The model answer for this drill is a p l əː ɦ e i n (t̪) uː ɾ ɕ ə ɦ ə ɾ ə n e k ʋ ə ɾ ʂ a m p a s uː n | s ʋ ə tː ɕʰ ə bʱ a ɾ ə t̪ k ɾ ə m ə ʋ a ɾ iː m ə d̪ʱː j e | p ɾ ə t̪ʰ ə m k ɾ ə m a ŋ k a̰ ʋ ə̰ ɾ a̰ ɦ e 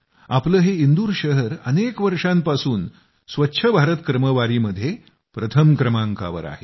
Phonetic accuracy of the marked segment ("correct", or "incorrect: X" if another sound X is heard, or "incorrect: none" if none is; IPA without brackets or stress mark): incorrect: d̪